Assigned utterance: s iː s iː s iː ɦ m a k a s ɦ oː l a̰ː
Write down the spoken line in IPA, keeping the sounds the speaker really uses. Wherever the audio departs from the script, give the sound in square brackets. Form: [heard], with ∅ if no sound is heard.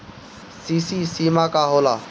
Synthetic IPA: s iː s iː s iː [∅] m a k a [∅] ɦ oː l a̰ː